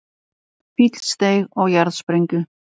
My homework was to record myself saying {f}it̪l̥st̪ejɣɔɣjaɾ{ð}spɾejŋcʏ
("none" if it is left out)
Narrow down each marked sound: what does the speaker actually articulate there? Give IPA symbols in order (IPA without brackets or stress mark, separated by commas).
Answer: f, ð